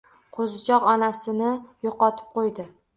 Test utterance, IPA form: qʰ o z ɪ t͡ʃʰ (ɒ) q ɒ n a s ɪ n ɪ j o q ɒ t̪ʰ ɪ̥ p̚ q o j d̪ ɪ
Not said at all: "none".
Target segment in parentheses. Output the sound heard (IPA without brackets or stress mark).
ɒ